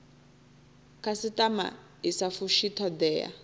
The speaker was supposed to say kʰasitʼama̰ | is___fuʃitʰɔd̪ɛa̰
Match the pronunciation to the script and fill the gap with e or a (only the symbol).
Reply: a